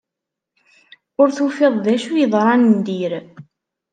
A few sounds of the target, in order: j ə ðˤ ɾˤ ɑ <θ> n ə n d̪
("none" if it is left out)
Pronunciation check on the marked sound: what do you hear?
none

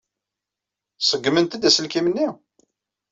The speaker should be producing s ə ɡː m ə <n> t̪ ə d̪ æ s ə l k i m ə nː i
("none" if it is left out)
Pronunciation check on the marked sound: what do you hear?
n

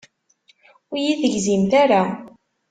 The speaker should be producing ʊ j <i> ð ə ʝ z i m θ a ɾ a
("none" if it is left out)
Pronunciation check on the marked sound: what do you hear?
i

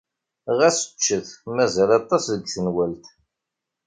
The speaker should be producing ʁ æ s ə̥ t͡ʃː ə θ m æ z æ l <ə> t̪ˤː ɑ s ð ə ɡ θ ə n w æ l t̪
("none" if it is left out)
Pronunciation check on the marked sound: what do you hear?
ɑ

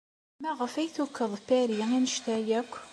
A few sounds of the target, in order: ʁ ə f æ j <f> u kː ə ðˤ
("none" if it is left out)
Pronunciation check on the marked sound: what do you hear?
θ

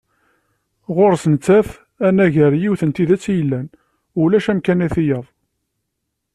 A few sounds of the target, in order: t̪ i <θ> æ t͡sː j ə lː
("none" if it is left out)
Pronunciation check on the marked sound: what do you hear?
ð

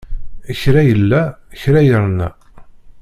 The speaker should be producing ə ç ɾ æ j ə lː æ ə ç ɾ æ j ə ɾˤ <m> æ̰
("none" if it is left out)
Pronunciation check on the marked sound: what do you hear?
n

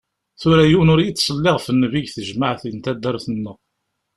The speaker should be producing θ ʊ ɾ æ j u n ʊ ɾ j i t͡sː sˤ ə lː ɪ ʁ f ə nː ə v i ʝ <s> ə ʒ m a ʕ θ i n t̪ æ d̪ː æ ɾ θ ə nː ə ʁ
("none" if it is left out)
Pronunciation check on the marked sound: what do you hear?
θ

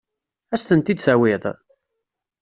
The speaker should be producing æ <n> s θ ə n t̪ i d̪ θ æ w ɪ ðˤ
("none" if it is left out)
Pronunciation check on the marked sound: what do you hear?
none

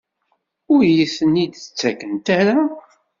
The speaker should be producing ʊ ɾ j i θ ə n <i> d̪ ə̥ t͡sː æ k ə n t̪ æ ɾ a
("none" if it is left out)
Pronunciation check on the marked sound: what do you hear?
i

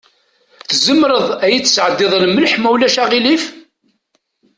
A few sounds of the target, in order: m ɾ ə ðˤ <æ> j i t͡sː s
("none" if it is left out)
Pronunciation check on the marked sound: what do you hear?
æ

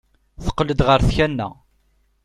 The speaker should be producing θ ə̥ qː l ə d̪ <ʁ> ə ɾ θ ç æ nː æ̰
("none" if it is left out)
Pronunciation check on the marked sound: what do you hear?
ʁ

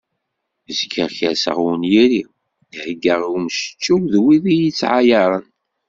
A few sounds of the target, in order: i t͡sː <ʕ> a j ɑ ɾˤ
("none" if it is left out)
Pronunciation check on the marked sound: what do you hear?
ʕ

